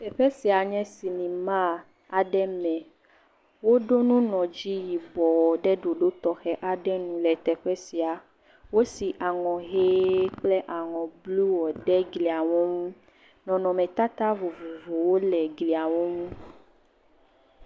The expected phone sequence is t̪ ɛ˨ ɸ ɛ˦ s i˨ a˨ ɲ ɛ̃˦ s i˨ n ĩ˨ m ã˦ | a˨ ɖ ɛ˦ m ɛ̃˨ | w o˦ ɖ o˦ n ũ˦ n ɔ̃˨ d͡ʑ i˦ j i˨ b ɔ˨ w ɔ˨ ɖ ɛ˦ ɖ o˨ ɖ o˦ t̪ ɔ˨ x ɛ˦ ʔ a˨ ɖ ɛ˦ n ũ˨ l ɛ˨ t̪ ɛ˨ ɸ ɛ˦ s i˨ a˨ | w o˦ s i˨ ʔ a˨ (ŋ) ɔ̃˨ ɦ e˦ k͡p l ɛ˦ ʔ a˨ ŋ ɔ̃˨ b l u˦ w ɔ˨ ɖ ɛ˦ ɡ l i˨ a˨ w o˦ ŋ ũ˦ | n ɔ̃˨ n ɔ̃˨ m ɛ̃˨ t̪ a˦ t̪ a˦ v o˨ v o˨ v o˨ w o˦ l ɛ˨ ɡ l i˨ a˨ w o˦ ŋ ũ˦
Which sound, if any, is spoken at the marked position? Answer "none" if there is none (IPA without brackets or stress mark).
ŋ